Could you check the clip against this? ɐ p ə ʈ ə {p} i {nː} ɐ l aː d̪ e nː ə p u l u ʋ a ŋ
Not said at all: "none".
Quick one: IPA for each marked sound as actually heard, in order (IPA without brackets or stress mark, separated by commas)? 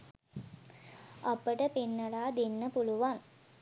p, nː